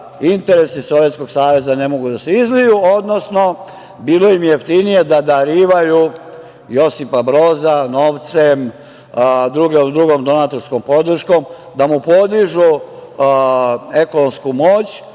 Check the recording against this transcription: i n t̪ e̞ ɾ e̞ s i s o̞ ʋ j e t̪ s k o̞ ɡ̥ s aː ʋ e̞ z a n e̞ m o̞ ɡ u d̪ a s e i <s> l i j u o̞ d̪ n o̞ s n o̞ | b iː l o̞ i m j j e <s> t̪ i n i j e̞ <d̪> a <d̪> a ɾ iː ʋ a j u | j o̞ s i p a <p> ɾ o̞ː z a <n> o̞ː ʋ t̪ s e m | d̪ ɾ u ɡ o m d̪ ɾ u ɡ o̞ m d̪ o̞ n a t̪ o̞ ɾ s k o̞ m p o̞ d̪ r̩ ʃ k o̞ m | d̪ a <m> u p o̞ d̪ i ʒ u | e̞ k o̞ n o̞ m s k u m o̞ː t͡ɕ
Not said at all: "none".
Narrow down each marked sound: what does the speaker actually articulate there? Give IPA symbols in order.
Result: z, f, d̪, d̪, b, n, m

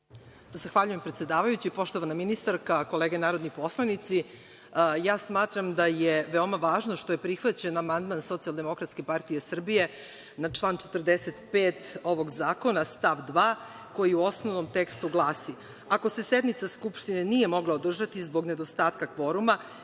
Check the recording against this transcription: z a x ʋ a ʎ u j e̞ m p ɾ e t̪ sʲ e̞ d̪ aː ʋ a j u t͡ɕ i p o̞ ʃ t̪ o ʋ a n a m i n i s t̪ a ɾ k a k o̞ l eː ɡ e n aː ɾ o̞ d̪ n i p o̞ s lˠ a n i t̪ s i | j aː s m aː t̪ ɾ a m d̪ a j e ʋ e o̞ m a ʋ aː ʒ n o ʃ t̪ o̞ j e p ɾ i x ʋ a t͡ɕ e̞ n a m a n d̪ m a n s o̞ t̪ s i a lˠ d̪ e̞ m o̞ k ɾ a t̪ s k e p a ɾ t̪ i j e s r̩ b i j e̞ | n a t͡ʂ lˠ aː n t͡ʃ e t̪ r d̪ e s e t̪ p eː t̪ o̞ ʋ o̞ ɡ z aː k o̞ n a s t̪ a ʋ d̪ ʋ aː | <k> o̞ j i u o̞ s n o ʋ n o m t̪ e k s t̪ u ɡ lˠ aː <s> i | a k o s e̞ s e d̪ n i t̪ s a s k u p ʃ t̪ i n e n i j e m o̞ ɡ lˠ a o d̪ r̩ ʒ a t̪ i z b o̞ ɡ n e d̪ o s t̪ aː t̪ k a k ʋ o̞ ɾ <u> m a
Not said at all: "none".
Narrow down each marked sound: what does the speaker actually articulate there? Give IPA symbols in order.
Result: k, s, u

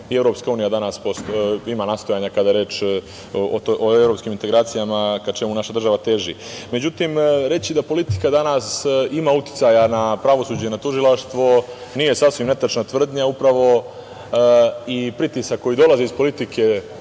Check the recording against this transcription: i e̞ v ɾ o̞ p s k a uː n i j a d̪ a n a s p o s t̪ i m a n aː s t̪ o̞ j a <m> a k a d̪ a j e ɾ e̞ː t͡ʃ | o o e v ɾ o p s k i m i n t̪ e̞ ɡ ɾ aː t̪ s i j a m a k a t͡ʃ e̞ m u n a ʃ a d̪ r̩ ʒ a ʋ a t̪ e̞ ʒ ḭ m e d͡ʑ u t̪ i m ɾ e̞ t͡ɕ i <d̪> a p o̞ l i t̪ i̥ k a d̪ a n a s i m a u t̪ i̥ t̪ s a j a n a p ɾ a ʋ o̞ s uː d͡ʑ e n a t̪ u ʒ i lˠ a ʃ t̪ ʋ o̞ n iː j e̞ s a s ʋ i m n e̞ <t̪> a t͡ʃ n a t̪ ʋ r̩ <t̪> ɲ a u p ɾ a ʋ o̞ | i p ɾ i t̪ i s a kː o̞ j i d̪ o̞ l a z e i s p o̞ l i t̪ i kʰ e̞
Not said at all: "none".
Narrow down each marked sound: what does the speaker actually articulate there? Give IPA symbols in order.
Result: ɲ, d̪, t̪, d̪

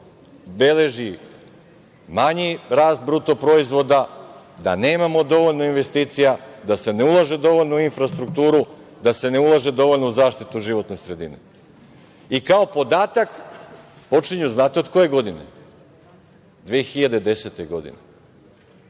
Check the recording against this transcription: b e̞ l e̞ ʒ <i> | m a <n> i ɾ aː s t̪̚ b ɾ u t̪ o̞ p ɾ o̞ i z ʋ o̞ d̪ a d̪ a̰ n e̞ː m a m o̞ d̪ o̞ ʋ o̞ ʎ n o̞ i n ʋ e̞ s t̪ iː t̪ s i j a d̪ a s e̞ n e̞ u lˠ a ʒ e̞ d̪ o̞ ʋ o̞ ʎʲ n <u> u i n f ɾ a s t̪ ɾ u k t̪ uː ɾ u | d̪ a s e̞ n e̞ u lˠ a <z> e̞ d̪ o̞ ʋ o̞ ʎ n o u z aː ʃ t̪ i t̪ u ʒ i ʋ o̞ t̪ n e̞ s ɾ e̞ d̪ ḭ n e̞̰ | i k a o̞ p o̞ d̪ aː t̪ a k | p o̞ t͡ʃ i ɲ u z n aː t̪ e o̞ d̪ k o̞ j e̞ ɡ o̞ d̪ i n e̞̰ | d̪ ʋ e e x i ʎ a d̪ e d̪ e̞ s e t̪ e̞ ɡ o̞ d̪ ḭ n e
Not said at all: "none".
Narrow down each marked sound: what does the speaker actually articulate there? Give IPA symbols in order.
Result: i, ɲ, o, ʒ

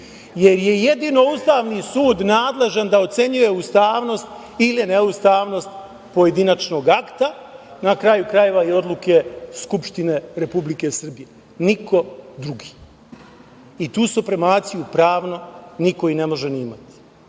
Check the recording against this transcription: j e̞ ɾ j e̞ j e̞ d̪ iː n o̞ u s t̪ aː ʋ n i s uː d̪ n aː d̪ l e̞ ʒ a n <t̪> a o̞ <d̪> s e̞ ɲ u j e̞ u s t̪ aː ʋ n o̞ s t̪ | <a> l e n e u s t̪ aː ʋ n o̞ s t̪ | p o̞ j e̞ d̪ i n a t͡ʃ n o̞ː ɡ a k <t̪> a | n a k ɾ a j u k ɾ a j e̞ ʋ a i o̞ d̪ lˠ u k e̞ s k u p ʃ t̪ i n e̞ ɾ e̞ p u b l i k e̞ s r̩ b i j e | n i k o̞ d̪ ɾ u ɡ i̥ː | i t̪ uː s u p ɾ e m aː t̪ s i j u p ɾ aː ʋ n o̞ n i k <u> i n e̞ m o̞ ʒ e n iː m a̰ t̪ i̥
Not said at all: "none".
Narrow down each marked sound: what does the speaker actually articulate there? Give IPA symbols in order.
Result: d̪, t̪, i, t̪, o

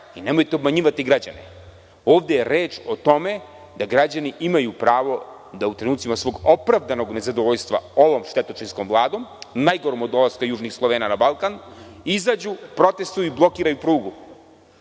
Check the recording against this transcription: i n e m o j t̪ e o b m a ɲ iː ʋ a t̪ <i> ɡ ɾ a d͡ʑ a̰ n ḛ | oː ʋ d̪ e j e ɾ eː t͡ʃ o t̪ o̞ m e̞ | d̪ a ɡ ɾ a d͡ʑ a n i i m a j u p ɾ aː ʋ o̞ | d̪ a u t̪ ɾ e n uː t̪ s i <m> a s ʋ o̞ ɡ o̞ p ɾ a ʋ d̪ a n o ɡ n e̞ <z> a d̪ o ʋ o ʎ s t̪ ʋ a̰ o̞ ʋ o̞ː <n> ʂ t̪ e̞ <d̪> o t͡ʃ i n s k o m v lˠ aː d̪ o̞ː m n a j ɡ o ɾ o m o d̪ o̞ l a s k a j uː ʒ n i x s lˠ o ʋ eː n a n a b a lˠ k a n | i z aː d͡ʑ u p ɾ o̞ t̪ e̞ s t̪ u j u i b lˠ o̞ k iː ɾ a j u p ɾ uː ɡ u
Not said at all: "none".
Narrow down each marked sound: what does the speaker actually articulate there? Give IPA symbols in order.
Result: i, m, z, m, t̪

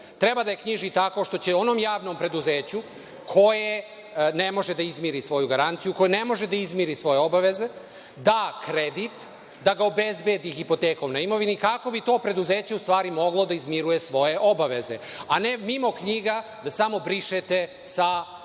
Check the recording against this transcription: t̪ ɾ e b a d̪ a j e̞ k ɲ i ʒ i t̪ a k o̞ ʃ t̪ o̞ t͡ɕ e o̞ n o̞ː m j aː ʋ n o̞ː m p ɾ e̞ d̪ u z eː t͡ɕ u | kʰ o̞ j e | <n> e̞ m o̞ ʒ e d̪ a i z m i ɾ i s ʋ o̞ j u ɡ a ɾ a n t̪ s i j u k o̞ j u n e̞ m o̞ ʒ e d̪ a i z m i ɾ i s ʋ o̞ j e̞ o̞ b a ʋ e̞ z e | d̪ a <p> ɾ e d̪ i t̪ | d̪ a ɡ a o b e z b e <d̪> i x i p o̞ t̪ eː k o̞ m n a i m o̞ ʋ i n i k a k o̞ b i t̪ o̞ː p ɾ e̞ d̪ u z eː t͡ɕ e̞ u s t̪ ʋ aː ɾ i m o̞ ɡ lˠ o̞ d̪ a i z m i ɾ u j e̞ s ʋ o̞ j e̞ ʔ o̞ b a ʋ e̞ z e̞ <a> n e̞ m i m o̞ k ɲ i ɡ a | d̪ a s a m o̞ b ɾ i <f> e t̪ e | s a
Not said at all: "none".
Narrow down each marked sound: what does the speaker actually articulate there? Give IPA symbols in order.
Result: n, k, d̪, a, ʃ

